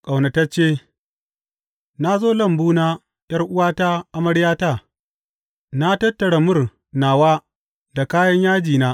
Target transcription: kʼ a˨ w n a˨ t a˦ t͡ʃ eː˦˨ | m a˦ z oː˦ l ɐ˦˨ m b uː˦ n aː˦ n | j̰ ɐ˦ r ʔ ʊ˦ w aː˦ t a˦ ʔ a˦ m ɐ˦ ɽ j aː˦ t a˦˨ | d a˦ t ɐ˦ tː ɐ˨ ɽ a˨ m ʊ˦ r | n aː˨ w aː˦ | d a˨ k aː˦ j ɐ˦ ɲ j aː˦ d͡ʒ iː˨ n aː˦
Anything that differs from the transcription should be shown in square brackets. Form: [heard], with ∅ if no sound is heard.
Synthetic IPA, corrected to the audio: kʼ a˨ w n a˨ t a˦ t͡ʃ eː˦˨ | [n] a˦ z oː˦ l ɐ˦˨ m b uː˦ n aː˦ [∅] | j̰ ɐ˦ r ʔ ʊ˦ w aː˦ t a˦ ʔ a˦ m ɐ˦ ɽ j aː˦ t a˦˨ | [n] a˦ t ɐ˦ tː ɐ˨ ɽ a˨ m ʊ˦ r | n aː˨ w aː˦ | d a˨ k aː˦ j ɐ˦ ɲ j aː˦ d͡ʒ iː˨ n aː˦